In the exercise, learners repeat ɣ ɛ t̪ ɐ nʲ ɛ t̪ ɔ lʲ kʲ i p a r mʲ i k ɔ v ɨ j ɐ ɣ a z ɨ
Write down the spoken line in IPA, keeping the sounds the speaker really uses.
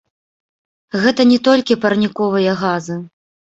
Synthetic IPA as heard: ɣ ɛ t̪ ɐ nʲ ɛ t̪ ɔ lʲ kʲ i p ɐ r nʲ i k ɔ v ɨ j ɐ ɣ a z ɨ